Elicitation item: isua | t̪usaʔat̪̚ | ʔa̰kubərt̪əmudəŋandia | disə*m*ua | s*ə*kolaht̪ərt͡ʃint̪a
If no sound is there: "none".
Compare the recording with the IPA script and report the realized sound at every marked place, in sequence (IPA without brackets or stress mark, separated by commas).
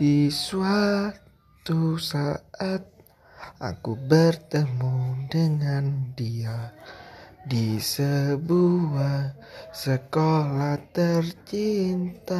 b, ə